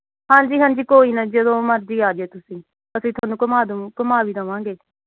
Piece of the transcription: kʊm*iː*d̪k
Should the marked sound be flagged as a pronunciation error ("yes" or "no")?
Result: yes